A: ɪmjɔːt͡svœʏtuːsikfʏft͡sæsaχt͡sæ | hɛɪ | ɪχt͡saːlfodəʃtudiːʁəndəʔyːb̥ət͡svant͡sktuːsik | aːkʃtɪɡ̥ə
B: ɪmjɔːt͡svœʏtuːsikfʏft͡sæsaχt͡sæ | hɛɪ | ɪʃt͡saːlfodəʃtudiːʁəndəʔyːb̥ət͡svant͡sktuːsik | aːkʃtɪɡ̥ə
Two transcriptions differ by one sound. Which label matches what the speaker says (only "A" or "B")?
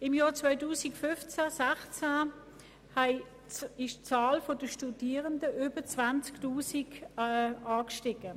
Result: B